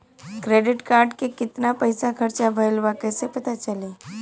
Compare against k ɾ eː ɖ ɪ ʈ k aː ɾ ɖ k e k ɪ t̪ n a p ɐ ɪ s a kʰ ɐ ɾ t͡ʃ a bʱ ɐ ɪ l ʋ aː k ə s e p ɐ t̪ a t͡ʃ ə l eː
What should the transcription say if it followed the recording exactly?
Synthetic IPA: k ɾ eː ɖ ɪ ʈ k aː ɾ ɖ k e k ɪ t̪ n a p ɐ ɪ s a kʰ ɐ ɾ t͡ʃ a bʱ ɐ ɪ l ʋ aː k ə s e p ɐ t̪ a t͡ʃ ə l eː